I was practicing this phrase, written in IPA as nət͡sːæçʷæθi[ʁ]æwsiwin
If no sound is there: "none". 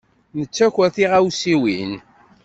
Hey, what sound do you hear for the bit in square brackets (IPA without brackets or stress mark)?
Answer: ʁ